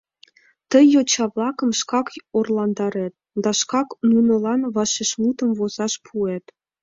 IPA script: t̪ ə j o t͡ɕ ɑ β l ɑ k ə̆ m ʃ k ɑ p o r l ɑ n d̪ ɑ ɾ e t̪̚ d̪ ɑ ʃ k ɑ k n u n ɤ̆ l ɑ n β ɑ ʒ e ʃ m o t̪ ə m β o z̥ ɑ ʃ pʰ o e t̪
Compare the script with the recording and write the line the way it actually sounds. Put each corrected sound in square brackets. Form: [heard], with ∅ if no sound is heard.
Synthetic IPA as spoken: t̪ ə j o t͡ɕ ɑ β l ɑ k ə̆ m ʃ k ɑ [k] o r l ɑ n d̪ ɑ ɾ e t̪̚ d̪ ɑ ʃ k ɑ k n u n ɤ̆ l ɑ n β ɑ [ʃ] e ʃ m [u] t̪ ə m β o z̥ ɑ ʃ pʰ [u] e t̪